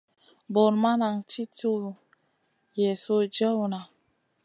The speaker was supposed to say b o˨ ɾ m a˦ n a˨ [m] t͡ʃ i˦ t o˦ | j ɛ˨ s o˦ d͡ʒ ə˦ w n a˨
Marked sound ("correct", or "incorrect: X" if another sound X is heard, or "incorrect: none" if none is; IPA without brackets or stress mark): incorrect: ŋ